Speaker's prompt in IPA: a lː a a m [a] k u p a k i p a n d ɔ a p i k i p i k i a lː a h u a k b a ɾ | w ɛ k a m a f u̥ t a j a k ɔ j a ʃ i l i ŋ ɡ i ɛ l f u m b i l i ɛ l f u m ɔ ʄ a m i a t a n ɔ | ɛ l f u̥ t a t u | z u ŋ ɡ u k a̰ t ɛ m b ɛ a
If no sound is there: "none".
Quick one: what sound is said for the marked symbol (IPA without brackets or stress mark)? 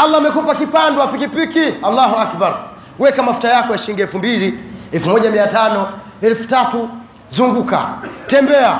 ɛ